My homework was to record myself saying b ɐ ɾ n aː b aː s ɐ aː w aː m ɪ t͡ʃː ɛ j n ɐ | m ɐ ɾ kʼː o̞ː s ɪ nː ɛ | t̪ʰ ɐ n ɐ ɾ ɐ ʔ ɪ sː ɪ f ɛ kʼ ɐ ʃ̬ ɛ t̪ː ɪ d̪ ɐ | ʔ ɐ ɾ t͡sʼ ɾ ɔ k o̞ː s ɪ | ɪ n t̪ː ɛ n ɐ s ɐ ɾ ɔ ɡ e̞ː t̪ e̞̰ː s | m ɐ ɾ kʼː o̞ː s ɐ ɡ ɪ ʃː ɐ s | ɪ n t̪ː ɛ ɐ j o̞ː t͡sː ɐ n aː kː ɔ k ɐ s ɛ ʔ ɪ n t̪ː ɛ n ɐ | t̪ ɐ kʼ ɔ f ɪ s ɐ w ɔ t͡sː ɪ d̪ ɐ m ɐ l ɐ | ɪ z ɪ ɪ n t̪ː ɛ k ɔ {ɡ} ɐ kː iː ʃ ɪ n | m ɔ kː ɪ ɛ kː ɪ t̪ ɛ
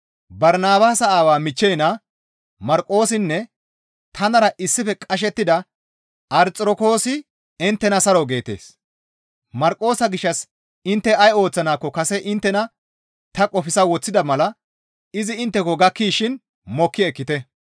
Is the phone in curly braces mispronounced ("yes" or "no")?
no